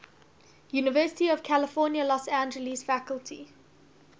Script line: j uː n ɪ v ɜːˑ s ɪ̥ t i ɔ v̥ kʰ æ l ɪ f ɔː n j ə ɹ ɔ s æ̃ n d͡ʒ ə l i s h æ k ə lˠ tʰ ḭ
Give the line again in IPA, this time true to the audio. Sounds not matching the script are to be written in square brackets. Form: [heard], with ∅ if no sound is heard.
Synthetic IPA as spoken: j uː n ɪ v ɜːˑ s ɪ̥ t i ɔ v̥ kʰ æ l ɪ f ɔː n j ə [l] ɔ s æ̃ n d͡ʒ ə l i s [f] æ k ə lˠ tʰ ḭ